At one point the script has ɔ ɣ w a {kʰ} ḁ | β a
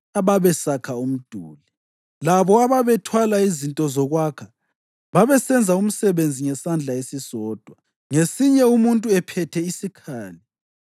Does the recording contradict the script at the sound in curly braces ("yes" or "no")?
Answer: no